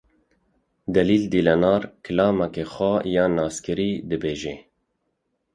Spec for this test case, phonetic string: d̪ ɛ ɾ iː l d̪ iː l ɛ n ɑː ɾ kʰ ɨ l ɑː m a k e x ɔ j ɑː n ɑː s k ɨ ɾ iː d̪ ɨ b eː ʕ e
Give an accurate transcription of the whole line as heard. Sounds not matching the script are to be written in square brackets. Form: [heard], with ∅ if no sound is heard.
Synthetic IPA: d̪ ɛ [l] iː l d̪ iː l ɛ n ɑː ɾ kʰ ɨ l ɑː m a k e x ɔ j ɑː n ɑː s k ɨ ɾ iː d̪ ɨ b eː [ʒ] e